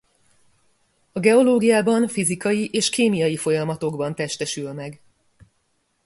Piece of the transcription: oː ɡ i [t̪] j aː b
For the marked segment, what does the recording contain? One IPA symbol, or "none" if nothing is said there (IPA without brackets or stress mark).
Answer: none